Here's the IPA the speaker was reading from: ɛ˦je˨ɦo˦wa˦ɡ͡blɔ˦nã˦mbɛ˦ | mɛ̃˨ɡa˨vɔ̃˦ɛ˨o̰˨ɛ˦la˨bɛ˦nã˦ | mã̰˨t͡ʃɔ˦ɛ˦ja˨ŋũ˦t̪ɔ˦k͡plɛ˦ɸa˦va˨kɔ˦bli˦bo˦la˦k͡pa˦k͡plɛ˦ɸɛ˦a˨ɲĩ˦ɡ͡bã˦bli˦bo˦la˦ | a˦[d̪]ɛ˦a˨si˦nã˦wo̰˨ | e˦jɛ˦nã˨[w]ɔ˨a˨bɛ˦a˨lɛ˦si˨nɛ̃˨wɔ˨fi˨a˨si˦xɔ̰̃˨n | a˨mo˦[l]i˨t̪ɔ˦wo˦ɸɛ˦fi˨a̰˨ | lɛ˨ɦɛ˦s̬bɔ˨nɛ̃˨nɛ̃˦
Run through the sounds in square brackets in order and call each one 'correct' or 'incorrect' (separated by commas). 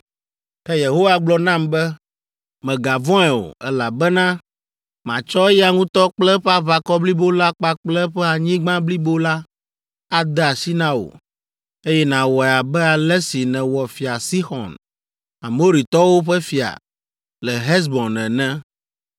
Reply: correct, correct, incorrect